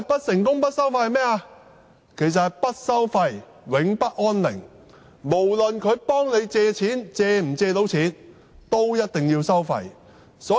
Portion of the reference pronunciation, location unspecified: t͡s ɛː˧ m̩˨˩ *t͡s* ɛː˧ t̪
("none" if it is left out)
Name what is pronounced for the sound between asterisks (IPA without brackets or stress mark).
t͡s